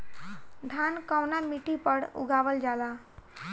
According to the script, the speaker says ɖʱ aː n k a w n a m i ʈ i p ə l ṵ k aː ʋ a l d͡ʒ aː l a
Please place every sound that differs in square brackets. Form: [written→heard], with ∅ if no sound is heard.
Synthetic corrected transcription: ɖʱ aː n k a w n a m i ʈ i p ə [l→ɽ] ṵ [k→ɡ] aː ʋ [a→ə] l d͡ʒ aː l a